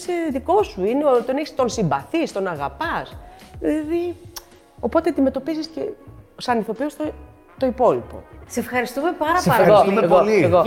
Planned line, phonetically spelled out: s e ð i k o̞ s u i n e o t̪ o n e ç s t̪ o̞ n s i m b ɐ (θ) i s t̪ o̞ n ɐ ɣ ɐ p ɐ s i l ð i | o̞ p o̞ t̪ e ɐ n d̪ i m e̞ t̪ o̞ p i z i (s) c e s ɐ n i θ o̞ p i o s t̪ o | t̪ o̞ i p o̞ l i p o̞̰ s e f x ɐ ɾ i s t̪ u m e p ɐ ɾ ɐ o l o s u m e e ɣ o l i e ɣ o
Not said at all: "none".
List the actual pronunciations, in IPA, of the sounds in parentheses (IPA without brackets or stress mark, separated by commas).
θ, s